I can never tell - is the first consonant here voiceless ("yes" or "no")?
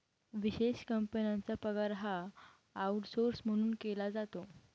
no